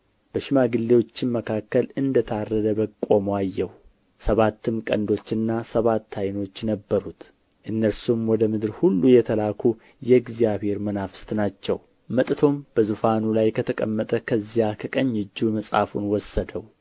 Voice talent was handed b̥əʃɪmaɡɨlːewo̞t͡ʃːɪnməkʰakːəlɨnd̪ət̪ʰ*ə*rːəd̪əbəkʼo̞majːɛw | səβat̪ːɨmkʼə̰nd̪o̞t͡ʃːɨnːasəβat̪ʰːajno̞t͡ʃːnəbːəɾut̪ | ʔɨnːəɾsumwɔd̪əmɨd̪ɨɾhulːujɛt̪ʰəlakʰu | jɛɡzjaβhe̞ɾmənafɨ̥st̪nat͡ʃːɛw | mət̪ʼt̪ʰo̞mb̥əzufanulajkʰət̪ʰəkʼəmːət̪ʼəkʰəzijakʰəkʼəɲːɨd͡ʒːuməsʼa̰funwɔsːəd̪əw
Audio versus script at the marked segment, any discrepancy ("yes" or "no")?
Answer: yes